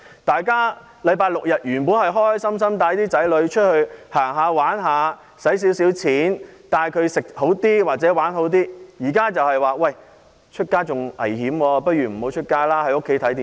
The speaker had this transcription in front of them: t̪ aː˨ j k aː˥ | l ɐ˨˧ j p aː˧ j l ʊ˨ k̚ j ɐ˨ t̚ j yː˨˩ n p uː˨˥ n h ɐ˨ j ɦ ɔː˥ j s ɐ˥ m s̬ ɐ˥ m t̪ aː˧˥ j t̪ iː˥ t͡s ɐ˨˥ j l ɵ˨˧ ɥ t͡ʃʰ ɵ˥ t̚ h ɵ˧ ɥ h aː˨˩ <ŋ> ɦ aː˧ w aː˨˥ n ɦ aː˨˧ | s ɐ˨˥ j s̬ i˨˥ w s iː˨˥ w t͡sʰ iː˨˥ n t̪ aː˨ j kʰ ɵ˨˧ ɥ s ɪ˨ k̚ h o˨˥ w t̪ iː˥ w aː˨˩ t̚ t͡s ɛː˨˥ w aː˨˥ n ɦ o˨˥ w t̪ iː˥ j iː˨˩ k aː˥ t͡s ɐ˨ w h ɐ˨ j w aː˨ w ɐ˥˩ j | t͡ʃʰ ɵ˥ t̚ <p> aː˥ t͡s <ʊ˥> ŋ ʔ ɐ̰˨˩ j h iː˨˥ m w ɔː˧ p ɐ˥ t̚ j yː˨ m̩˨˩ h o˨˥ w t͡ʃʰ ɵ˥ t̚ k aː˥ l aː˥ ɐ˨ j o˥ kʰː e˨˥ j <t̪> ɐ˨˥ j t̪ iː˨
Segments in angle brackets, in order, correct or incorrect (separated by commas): correct, incorrect, incorrect, incorrect